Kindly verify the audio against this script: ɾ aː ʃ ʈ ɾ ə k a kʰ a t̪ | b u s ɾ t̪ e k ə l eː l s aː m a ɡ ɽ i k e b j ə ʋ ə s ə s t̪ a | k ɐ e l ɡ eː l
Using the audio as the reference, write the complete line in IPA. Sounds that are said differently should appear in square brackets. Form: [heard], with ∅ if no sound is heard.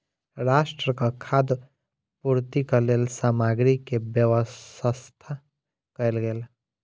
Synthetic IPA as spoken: ɾ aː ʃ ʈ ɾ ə k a kʰ a [d̪] | [p] u [∅] ɾ t̪ [i] k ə l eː l s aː m a ɡ [ɾ] i k e b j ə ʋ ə s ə s [t̪ʰ] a | k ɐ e l ɡ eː l